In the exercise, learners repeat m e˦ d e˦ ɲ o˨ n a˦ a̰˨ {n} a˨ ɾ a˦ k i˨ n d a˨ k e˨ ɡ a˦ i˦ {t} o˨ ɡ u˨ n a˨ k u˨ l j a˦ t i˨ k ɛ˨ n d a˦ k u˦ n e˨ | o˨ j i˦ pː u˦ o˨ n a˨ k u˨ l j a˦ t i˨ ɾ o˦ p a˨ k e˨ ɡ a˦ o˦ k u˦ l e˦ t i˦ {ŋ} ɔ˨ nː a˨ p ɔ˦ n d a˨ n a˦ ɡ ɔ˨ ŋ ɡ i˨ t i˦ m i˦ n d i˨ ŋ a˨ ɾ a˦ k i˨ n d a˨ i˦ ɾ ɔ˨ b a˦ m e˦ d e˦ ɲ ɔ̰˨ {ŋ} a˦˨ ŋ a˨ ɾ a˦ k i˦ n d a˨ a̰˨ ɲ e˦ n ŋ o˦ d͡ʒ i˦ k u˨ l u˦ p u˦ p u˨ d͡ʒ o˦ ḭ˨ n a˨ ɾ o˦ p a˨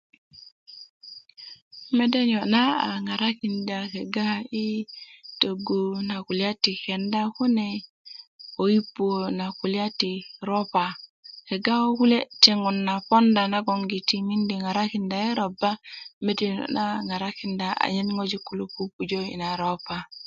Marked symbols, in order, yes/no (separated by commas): no, yes, yes, no